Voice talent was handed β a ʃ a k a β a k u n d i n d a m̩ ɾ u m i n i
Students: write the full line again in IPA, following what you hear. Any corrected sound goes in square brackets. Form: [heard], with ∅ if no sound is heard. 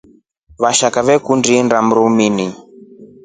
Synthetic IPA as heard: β a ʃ a k a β [ɛ] k u n d i n d a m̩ ɾ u m i n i